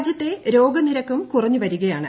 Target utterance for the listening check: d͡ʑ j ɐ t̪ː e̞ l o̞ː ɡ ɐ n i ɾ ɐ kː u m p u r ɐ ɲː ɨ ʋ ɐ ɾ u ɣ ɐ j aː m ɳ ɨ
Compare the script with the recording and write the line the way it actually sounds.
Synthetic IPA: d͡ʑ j ɐ t̪ː e̞ ɾ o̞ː ɡ ɐ n i ɾ ɐ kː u m k u r ɐ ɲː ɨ ʋ ɐ ɾ u ɣ ɐ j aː ɳ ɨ